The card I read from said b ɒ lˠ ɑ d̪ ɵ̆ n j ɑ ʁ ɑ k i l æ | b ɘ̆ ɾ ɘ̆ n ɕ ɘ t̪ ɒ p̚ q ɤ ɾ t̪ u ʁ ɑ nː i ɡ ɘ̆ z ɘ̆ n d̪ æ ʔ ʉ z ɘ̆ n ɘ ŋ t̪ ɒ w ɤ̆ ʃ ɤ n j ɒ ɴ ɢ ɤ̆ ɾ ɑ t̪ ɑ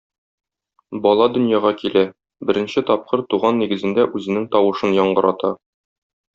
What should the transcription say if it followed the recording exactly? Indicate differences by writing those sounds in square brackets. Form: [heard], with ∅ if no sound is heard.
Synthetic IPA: b ɒ lˠ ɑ d̪ ɵ̆ n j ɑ ʁ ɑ k i l æ | b ɘ̆ ɾ ɘ̆ n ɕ ɘ t̪ ɒ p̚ q ɤ ɾ t̪ u ʁ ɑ nː i ɡ ɘ̆ z ɘ̆ n d̪ æ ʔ ʉ z ɘ̆ n ɘ ŋ t̪ ɒ w ɤ̆ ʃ ɤ n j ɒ ɴ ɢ ɤ̆ ɾ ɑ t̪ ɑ

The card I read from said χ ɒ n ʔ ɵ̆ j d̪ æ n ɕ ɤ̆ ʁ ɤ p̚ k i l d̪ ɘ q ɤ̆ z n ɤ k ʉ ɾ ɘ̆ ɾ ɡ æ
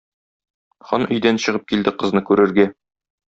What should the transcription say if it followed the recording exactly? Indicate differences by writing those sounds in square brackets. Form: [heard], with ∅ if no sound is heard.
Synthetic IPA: χ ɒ n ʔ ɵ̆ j d̪ æ n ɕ ɤ̆ ʁ ɤ p̚ k i l d̪ ɘ q ɤ̆ z n ɤ k ʉ ɾ ɘ̆ ɾ ɡ æ

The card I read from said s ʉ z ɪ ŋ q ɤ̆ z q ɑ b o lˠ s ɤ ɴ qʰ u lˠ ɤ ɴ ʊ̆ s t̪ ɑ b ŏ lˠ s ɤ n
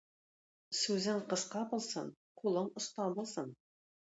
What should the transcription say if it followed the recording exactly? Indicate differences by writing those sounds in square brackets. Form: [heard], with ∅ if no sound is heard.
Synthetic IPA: s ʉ z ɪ ŋ q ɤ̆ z q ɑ b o lˠ s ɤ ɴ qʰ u lˠ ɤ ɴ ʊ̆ s t̪ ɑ b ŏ lˠ s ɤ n

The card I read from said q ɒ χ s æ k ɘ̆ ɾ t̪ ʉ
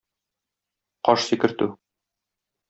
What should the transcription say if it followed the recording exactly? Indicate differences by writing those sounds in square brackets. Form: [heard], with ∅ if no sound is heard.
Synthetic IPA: q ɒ [ʃ] s [i] k ɘ̆ ɾ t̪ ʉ

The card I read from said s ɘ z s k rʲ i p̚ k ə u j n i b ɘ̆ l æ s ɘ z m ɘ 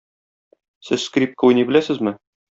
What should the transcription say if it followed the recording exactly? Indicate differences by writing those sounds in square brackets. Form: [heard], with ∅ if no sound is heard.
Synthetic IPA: s ɘ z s k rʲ i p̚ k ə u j n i b ɘ̆ l æ s ɘ z m ɘ

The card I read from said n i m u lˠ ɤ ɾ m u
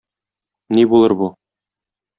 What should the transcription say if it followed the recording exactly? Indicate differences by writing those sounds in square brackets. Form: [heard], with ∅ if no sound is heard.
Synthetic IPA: n i [b] u lˠ ɤ ɾ [b] u

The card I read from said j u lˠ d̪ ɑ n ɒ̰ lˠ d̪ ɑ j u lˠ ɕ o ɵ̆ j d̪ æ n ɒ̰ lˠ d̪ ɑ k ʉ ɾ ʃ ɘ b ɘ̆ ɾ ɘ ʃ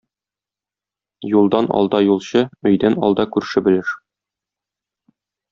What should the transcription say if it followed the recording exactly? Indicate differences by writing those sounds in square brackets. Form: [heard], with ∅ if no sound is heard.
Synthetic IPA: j u lˠ d̪ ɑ n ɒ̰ lˠ d̪ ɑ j u lˠ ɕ [ɤ] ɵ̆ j d̪ æ n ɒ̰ lˠ d̪ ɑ k ʉ ɾ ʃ ɘ b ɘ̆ [l] ɘ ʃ

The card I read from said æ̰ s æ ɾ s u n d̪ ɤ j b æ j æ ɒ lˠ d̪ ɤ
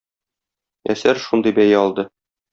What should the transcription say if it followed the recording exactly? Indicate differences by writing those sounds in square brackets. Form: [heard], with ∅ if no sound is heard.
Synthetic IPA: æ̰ s æ ɾ [ʃ] u n d̪ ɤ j b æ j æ ɒ lˠ d̪ ɤ

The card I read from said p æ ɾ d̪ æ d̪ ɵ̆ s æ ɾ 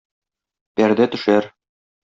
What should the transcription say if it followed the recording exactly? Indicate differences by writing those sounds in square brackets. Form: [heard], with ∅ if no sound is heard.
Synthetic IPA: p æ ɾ d̪ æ [t̪] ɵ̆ [ʃ] æ ɾ

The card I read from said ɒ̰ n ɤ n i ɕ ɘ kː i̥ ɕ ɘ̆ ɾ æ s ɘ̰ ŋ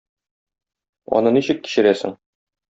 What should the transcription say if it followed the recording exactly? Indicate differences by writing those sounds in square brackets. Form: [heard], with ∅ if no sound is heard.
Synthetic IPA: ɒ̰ n ɤ n i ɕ ɘ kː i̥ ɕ ɘ̆ ɾ æ s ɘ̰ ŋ

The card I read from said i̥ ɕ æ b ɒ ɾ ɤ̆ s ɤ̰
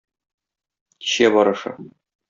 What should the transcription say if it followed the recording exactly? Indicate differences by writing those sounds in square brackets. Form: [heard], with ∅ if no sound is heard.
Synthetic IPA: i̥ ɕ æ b ɒ ɾ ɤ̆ [ʃ] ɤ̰

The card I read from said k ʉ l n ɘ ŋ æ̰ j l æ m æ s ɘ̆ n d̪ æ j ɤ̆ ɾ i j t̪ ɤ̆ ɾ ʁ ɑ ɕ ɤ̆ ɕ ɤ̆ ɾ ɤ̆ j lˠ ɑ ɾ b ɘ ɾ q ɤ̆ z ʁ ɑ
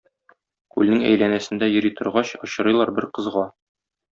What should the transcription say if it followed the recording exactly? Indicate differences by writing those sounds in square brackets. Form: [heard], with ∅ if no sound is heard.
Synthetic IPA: k ʉ l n ɘ ŋ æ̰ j l æ [n] æ s ɘ̆ n d̪ æ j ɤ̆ ɾ i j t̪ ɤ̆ ɾ ʁ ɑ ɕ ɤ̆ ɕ ɤ̆ ɾ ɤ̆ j lˠ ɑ ɾ b ɘ ɾ q ɤ̆ z ʁ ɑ

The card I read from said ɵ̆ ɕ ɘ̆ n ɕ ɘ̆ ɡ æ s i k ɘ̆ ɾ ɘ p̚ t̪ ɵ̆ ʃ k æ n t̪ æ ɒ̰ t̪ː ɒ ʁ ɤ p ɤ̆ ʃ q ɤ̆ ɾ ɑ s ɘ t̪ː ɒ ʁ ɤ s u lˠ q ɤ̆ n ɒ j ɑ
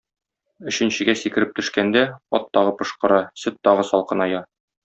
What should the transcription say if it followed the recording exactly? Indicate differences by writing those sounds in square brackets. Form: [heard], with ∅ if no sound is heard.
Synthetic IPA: ɵ̆ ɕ ɘ̆ n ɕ ɘ̆ ɡ æ s i k ɘ̆ ɾ ɘ p̚ t̪ ɵ̆ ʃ k æ n [d̪] æ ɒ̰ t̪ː ɒ ʁ ɤ p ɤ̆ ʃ q ɤ̆ ɾ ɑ s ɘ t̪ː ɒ ʁ ɤ s [ɒ] lˠ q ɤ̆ n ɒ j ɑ

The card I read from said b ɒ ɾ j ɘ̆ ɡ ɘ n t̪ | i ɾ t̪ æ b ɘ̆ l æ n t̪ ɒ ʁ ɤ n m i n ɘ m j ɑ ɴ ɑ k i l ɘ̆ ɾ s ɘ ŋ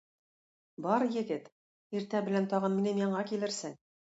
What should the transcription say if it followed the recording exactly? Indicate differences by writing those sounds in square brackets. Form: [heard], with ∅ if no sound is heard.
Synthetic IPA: b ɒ ɾ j ɘ̆ ɡ ɘ [∅] t̪ | i ɾ t̪ æ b ɘ̆ l æ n t̪ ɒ ʁ ɤ n m i n ɘ m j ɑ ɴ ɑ k i l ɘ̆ ɾ s ɘ ŋ

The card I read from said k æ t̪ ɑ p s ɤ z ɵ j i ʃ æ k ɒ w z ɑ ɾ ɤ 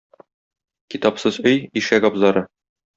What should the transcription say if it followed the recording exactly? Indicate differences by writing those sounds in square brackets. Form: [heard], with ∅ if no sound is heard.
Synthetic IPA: k [i] t̪ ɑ p s ɤ z ɵ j i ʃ æ [ɡ] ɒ [b] z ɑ ɾ ɤ

